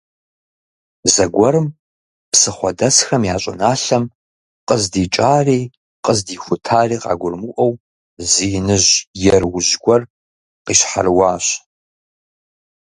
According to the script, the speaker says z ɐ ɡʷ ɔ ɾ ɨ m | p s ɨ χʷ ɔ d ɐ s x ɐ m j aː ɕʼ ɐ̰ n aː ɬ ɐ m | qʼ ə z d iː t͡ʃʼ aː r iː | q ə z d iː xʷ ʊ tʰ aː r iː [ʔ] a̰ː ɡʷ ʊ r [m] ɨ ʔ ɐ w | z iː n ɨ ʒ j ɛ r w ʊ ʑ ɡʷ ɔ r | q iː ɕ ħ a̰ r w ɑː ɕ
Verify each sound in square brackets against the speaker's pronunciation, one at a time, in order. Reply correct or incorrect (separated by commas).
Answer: incorrect, correct